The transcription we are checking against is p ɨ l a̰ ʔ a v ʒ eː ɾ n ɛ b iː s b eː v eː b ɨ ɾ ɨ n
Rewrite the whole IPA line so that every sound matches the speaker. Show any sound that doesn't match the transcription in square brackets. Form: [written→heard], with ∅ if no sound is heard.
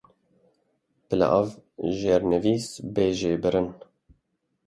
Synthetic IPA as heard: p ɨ l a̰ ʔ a v ʒ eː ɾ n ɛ [b→v] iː s b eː [v→ʒ] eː b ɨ ɾ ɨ n

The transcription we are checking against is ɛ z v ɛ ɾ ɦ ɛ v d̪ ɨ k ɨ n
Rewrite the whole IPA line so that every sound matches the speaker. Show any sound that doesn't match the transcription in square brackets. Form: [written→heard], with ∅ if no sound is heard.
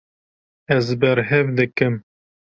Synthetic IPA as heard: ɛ z [v→b] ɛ ɾ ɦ ɛ v d̪ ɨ k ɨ [n→m]

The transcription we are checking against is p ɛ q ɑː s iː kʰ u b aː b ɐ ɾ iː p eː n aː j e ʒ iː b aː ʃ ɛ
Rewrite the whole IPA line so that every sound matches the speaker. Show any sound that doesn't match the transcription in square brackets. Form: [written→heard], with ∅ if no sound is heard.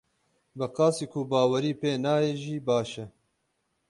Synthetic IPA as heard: [p→b] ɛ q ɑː s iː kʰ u b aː [b→w] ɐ ɾ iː p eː n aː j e ʒ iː b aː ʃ ɛ

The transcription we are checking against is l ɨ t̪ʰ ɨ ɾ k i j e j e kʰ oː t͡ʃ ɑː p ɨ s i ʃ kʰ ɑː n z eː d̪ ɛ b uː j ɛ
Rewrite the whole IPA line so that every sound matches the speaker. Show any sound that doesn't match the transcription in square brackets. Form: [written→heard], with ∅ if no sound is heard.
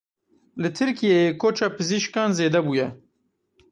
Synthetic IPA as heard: l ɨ t̪ʰ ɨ ɾ k i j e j e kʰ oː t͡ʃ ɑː p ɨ [s→z] i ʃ [kʰ→k] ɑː n z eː d̪ ɛ b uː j ɛ

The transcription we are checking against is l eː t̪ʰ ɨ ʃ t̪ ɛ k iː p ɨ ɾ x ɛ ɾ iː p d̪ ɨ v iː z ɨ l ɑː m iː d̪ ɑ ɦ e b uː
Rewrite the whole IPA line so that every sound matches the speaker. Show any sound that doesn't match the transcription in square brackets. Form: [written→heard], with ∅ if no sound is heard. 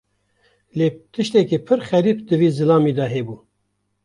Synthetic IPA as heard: l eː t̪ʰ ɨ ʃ t̪ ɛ k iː [p→pʰ] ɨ ɾ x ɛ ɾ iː p d̪ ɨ v iː z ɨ l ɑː m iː d̪ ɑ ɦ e b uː

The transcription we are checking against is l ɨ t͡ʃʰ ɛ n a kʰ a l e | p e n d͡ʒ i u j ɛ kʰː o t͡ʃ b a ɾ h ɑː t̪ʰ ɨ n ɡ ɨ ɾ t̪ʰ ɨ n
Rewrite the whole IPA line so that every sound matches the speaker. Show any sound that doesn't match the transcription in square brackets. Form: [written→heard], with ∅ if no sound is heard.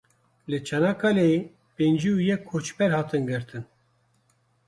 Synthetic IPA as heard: l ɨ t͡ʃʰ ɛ n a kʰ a l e | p e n d͡ʒ i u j ɛ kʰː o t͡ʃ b [a→ɛ] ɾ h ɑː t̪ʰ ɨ n ɡ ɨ ɾ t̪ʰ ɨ n

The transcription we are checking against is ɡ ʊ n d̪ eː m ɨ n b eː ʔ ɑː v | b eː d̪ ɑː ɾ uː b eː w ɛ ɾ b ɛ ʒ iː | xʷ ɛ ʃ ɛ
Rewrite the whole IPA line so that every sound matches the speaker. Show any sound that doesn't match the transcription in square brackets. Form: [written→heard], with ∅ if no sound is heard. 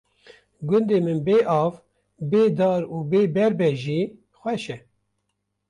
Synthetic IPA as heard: ɡ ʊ n d̪ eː m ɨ n b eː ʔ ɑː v | b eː d̪ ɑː ɾ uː b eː [w→b] ɛ ɾ b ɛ ʒ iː | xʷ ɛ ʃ ɛ

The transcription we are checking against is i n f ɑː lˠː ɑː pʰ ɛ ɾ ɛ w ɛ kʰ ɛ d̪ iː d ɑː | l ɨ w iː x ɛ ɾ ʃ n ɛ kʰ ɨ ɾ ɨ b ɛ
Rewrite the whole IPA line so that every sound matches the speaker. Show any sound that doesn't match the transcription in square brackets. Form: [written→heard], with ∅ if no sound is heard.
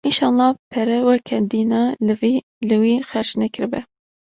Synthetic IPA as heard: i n [f→ʃ] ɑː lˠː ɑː pʰ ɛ ɾ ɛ w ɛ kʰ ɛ d̪ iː [d→n] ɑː | l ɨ w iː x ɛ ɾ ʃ n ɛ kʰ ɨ ɾ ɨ b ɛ

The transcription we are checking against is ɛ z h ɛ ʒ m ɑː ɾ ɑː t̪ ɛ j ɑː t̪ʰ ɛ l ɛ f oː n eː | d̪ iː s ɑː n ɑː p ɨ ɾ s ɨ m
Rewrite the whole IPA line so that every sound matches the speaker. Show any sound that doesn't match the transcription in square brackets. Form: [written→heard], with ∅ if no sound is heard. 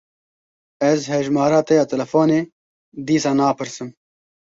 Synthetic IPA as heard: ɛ z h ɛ ʒ m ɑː ɾ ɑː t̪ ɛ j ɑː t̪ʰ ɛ l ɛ f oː n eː | d̪ iː s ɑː n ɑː p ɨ ɾ s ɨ m

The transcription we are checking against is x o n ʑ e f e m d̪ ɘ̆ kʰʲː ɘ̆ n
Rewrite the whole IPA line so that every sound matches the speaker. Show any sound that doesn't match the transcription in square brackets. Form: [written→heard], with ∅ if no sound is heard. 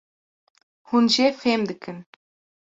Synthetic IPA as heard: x [o→u] n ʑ e f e m d̪ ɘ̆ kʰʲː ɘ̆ n

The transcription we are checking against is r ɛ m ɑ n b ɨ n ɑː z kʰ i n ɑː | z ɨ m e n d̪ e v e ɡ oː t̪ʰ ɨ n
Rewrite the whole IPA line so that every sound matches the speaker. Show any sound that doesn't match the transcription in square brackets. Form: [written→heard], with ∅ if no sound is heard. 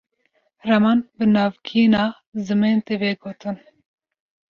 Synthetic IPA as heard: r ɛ m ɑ n b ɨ n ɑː [z→v] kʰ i n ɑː | z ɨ m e n [d̪→t̪] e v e ɡ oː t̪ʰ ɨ n

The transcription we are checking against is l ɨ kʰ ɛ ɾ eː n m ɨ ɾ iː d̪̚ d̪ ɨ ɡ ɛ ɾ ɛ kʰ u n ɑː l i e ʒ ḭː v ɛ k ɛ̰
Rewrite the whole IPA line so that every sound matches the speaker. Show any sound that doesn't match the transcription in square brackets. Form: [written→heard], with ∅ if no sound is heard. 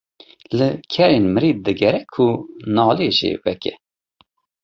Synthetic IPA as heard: l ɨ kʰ ɛ ɾ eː n m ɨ ɾ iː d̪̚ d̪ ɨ ɡ ɛ ɾ ɛ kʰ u n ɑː l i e ʒ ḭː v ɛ k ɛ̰

